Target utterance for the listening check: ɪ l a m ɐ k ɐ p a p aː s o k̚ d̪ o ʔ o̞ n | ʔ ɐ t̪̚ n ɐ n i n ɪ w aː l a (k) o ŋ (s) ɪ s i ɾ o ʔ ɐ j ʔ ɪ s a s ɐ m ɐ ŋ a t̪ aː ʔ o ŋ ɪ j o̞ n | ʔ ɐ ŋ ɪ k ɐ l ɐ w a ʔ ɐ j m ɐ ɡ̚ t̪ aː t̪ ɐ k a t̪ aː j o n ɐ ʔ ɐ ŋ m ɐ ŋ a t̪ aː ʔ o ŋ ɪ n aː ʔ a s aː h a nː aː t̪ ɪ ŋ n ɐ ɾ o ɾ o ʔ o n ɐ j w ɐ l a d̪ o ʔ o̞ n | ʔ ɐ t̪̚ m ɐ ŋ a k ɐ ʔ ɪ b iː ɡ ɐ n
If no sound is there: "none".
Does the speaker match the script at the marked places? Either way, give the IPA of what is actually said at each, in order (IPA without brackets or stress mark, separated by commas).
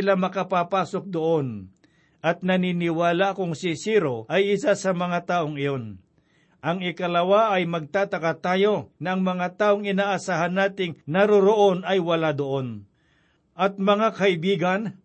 k, s